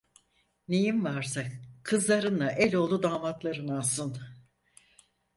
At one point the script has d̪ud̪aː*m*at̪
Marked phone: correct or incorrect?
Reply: correct